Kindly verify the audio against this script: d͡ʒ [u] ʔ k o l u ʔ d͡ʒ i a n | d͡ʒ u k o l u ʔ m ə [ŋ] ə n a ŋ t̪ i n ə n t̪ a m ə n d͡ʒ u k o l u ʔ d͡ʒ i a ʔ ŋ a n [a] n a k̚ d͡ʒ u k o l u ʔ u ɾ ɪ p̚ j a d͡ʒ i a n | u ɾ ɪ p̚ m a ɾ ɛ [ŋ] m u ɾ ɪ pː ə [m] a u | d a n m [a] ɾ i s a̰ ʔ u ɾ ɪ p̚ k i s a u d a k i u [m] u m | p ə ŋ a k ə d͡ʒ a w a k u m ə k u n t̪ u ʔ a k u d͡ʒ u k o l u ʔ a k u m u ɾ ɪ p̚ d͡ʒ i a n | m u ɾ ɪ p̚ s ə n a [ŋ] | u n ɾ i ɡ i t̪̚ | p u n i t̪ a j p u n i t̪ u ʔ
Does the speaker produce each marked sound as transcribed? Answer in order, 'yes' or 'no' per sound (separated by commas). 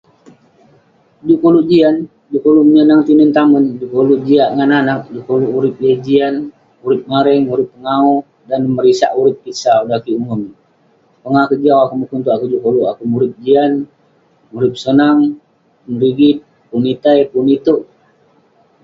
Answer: yes, no, yes, yes, no, no, yes, yes